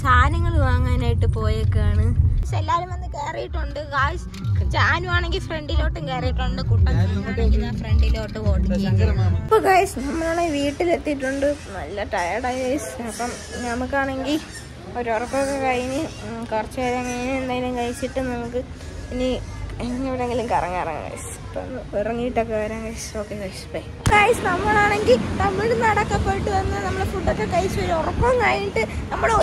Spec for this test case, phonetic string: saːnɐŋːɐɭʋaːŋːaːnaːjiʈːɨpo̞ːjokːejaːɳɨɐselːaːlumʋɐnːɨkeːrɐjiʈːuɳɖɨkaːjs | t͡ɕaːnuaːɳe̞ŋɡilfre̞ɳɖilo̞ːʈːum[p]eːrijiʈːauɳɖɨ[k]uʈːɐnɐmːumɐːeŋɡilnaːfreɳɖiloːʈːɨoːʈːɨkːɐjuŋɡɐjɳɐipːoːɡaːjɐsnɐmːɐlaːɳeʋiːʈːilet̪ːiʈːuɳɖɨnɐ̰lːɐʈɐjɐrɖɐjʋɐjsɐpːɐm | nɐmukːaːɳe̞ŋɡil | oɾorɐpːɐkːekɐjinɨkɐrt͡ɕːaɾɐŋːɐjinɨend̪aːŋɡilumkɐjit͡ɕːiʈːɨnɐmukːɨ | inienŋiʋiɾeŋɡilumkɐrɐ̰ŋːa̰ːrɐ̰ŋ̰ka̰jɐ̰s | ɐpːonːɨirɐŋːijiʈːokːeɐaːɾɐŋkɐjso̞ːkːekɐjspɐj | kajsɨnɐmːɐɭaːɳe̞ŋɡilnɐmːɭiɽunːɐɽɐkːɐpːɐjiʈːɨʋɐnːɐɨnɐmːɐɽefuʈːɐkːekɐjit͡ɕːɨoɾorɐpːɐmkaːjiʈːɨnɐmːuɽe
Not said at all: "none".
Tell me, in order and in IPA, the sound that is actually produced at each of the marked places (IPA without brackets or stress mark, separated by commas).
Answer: k, k